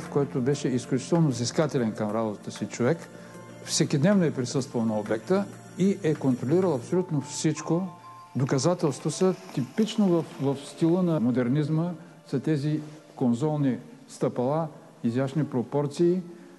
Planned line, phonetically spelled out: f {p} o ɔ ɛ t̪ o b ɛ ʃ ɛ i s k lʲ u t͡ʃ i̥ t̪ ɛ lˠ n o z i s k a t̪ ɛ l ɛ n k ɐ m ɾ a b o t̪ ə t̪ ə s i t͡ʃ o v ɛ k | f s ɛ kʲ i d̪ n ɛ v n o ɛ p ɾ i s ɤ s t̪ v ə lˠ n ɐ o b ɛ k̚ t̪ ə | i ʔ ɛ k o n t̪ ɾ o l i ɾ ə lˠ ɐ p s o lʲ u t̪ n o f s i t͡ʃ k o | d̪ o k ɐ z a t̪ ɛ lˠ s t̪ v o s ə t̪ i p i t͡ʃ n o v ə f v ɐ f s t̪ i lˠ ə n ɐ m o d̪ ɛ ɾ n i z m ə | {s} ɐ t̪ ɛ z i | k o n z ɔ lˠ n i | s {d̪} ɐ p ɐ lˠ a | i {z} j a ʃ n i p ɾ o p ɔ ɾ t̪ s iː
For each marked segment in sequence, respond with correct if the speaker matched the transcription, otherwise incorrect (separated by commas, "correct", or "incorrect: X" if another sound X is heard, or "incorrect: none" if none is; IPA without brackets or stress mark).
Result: incorrect: k, correct, incorrect: t̪, correct